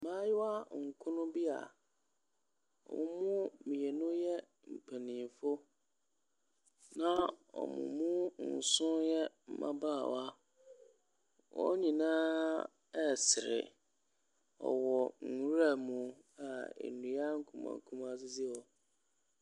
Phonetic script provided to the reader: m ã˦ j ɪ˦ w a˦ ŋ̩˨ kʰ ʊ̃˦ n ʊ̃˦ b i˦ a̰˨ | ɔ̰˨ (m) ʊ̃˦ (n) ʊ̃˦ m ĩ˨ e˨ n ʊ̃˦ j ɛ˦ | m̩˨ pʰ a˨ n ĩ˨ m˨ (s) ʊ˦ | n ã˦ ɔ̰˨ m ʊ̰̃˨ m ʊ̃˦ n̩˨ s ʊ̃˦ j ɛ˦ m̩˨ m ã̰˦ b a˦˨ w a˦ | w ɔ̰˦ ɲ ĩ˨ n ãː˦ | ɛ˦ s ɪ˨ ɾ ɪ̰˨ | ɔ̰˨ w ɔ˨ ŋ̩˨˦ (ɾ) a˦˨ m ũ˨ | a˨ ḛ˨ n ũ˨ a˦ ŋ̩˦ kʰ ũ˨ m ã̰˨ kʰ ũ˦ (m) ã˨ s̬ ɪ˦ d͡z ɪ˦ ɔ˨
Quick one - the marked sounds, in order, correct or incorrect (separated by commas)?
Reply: correct, incorrect, incorrect, correct, correct